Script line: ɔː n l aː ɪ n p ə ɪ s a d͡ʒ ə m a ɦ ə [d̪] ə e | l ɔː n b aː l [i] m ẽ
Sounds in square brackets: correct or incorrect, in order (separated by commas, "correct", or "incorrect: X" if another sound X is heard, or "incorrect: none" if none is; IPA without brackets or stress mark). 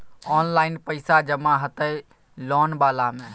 incorrect: t̪, incorrect: a